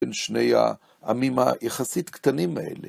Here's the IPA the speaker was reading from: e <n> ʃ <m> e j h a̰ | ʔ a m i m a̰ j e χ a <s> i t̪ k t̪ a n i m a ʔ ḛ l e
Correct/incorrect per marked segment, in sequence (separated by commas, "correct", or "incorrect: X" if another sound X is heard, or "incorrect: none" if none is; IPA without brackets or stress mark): correct, incorrect: n, correct